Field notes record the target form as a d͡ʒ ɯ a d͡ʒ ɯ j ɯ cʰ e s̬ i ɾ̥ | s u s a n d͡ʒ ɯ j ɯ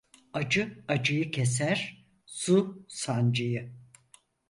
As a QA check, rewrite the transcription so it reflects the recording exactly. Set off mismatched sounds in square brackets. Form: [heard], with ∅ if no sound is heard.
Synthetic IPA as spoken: a d͡ʒ ɯ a d͡ʒ ɯ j ɯ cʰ e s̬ [æ] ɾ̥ | s u s a n d͡ʒ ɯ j ɯ